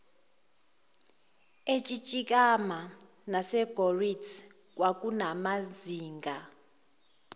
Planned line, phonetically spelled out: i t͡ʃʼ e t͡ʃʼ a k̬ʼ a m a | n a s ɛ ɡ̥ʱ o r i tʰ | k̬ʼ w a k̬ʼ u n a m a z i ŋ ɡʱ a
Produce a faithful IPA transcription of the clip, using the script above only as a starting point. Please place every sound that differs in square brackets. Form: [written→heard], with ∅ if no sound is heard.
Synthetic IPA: [i→e] t͡ʃʼ [e→i] t͡ʃʼ [a→i] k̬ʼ a m a | n a s ɛ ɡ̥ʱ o r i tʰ | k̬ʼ w a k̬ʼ u n a m a z [i→iː] ŋ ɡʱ a